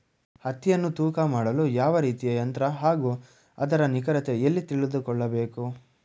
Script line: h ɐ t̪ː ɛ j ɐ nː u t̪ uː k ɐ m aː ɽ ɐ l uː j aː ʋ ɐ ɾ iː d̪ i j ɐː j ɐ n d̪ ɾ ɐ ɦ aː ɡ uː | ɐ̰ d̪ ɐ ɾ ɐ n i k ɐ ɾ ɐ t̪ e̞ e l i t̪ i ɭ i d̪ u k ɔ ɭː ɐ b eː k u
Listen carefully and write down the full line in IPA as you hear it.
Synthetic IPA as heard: h ɐ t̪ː i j ɐ nː u t̪ uː k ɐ m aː ɽ ɐ l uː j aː ʋ ɐ ɾ iː t̪ i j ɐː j ɐ n t̪ ɾ ɐ ɦ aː ɡ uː | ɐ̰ d̪ ɐ ɾ ɐ n i k ɐ ɾ ɐ t̪ e̞ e lː i t̪ i ɭ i d̪ u k ɔ ɭː ɐ b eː k u